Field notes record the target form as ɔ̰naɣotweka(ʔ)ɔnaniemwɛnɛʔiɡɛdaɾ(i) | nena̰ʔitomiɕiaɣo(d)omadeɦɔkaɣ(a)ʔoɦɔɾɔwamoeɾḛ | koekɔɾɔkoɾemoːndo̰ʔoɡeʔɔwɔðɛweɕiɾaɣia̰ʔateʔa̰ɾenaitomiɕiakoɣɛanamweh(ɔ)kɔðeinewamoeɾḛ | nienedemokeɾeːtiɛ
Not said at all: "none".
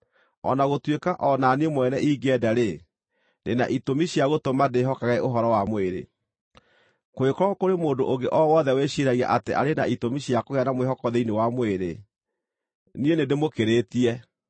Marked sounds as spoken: ʔ, e, t, ɛ, ɔ

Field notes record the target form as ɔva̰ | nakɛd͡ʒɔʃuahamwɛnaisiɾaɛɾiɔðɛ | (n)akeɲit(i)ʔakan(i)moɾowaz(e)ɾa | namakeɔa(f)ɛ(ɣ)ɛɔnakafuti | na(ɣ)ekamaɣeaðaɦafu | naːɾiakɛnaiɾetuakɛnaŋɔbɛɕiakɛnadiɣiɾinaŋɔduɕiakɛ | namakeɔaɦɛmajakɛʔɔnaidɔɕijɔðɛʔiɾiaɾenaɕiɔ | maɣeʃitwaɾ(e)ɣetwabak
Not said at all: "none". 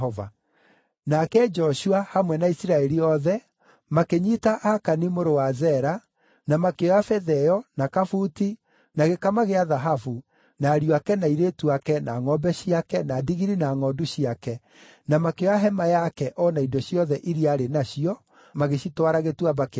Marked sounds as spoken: m, a, i, ɛ, f, ð, ɣ, a

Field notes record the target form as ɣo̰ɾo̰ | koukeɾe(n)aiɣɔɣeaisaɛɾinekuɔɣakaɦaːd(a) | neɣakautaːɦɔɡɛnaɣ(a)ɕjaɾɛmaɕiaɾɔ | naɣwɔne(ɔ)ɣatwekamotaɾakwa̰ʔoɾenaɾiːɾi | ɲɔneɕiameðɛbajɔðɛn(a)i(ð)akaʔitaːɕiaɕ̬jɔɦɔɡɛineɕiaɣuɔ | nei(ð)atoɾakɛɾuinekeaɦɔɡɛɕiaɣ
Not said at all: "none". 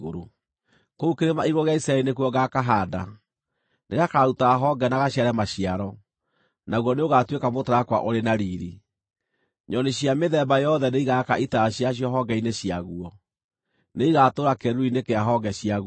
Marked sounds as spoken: m, a, a, o, e, ɣ, ɣ

